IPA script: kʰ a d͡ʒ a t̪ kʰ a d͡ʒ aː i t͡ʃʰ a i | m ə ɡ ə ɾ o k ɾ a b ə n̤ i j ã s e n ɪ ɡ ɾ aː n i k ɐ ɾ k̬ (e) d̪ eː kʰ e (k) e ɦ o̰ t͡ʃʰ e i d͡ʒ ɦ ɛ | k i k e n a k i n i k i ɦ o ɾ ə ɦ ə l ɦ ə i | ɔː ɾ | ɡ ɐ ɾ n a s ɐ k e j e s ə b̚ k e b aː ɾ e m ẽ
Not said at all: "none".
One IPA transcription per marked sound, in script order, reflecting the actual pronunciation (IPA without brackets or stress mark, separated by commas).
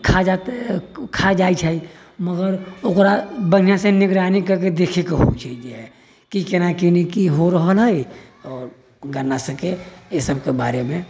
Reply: e, k